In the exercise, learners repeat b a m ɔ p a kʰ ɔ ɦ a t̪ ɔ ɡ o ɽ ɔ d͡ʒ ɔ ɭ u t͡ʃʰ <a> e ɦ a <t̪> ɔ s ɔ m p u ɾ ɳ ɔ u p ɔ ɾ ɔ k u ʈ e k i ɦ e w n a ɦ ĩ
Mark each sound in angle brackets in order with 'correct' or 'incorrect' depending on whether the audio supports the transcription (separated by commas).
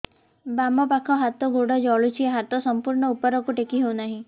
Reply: incorrect, correct